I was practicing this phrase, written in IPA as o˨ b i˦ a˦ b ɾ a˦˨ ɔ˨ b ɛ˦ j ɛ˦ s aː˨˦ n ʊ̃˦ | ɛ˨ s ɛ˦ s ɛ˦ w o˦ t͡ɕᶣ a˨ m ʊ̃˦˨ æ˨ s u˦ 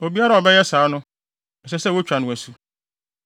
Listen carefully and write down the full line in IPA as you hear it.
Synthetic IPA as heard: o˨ b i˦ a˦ ɾ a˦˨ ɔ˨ b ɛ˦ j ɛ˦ s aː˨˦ n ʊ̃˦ | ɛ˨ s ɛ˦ s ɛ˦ w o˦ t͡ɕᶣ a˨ n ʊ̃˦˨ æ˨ s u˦